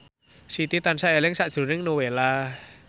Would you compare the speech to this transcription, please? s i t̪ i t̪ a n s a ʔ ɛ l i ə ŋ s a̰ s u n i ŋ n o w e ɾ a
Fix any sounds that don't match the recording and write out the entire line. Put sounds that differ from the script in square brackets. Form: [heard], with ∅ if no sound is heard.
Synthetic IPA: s i t̪ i t̪ a n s a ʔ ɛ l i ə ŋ s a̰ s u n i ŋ n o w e [l] a